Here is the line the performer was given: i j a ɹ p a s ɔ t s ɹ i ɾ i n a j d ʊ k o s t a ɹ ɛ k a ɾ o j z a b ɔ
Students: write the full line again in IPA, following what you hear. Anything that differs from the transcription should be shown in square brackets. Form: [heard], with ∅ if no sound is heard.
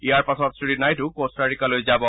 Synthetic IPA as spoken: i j a ɹ p a s ɔ t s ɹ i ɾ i n a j [t] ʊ k o s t a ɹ [i] k a [l] o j z a b ɔ